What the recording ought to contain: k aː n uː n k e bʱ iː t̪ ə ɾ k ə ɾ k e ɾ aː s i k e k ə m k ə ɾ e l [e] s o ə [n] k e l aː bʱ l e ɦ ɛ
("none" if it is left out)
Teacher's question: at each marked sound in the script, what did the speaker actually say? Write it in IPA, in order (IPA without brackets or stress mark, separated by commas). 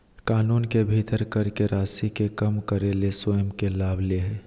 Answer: e, m